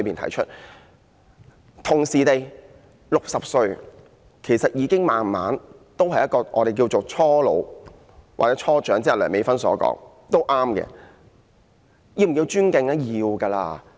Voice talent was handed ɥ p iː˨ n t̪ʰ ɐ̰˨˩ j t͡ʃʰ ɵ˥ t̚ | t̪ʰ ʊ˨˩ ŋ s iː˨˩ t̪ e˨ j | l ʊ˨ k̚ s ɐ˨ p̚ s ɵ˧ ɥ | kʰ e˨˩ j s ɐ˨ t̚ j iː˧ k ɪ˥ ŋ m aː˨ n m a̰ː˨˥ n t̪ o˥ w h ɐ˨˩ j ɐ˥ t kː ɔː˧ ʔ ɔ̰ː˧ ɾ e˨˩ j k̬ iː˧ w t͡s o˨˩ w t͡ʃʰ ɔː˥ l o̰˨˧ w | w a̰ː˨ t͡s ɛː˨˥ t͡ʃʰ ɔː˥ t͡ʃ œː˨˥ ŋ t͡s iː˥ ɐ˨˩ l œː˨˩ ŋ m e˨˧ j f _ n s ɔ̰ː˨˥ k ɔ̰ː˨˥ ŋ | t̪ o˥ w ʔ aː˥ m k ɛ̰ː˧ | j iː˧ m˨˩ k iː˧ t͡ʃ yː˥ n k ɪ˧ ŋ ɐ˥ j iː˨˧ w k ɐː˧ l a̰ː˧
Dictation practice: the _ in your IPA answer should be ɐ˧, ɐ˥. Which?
ɐ˥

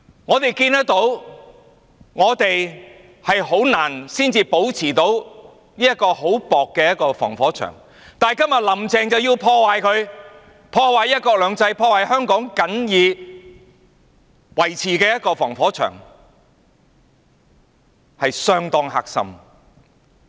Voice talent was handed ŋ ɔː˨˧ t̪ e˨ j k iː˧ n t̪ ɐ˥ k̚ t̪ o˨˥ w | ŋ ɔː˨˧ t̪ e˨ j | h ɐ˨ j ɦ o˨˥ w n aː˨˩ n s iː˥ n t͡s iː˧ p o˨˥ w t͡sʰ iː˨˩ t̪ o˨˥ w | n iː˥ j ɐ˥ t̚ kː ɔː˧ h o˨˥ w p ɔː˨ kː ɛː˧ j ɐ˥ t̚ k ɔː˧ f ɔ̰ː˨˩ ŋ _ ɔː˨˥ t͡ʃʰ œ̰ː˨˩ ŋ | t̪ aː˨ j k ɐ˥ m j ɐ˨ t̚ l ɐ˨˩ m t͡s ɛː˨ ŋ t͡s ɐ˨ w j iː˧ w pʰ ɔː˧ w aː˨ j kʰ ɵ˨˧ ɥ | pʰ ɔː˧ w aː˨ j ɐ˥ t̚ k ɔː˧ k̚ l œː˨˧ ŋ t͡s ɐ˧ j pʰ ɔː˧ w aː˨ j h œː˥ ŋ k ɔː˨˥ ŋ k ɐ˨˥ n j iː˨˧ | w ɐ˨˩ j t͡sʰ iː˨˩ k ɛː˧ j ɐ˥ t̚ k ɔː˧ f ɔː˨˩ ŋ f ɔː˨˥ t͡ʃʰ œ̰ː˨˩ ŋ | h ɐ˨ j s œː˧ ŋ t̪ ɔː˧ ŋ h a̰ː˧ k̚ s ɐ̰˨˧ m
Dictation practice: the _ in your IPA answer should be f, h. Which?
f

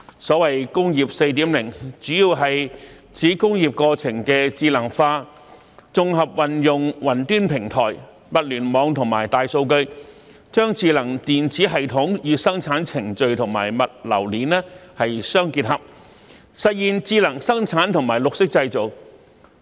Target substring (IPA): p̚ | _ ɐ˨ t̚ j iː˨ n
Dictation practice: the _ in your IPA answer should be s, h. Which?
s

